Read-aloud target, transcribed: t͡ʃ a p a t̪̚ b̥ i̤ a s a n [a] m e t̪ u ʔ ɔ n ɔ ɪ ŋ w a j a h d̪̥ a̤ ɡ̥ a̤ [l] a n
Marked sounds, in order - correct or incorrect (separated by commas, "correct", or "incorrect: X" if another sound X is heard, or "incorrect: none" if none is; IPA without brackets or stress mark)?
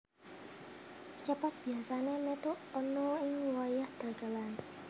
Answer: incorrect: e, correct